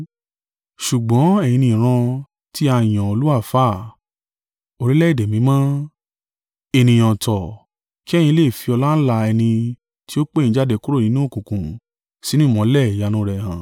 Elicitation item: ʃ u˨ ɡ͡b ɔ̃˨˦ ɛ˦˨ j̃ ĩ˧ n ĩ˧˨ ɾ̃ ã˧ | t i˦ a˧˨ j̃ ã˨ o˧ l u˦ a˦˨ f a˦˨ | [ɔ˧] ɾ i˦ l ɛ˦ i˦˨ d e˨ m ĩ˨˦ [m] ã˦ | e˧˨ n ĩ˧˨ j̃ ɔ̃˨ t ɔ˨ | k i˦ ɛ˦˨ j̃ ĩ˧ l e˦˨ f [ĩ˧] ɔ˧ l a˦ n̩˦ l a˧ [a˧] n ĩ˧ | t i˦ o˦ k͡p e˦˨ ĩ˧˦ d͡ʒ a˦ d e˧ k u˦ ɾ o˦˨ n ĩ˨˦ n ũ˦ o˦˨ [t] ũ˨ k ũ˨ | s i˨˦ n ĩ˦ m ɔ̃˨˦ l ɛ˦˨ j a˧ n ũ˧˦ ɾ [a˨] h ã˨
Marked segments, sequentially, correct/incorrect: incorrect, correct, incorrect, incorrect, incorrect, incorrect

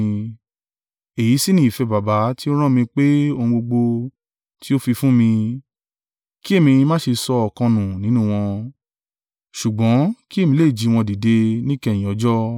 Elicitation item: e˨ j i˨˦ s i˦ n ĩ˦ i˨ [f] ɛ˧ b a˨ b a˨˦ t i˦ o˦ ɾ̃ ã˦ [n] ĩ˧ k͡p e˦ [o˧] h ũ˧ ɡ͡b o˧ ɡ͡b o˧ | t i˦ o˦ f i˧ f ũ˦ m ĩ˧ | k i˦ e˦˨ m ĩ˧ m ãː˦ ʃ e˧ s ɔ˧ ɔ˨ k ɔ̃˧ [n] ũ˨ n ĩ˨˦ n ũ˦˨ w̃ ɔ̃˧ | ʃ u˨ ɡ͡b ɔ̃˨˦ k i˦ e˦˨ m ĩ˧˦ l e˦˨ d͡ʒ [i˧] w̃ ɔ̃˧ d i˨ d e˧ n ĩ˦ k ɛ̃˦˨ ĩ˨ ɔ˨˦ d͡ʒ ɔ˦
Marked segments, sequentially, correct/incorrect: correct, incorrect, correct, correct, correct

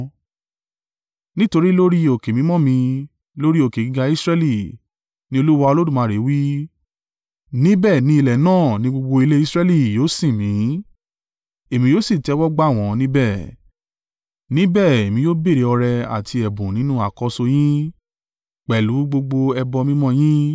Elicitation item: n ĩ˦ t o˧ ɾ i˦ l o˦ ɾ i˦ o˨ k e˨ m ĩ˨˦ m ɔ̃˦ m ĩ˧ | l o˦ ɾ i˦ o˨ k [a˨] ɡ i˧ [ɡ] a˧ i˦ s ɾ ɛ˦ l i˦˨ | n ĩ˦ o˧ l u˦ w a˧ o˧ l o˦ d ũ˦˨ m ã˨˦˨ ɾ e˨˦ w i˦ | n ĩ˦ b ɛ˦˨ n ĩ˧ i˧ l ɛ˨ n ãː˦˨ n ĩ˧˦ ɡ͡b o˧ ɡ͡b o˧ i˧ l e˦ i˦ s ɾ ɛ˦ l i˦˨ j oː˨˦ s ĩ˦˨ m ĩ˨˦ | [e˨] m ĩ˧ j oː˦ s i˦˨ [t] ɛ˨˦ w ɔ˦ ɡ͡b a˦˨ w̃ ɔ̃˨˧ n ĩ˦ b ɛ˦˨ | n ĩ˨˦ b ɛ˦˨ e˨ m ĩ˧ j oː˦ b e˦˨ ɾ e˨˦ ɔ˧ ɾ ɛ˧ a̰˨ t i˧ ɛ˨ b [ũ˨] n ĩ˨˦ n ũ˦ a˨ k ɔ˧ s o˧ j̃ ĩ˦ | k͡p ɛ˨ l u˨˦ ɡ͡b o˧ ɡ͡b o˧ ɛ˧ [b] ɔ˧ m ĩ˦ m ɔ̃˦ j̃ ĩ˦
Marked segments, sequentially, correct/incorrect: incorrect, correct, correct, correct, correct, correct

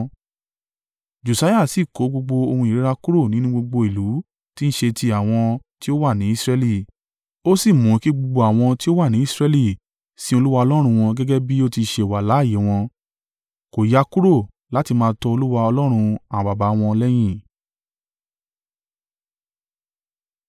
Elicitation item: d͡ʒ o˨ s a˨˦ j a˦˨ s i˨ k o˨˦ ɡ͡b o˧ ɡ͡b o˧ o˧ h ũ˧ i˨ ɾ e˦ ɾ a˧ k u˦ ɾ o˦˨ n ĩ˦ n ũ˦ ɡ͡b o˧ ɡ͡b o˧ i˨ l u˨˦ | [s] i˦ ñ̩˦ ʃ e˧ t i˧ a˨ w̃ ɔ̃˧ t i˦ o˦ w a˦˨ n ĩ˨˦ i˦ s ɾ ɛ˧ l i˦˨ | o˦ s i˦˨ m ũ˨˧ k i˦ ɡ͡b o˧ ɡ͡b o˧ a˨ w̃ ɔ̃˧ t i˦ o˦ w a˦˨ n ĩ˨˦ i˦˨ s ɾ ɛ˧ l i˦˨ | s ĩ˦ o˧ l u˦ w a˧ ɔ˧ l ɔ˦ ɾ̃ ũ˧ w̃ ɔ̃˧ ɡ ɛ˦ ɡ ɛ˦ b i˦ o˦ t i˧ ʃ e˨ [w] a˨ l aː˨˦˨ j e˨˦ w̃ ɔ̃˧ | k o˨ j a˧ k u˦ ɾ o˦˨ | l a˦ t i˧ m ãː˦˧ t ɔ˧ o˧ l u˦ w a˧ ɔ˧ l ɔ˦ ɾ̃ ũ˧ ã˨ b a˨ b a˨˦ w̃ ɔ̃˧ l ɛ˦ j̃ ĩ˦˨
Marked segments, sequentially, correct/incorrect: incorrect, correct

